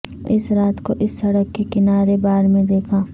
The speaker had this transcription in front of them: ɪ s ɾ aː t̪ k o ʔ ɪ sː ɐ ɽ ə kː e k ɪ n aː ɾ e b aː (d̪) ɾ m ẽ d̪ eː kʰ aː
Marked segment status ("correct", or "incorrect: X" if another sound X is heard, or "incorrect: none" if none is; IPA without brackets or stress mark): incorrect: none